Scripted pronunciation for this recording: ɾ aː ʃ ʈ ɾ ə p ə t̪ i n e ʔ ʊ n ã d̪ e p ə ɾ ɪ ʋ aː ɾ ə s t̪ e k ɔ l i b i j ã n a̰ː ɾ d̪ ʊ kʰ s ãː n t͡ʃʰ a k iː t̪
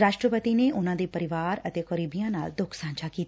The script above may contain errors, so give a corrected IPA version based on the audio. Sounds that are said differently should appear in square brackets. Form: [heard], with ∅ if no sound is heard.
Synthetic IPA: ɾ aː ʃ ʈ ɾ ə p ə t̪ i n e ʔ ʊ n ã d̪ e p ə ɾ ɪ ʋ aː ɾ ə [∅] t̪ e k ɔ [ɾ] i b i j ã n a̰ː [l] d̪ ʊ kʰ s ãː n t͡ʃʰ a k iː t̪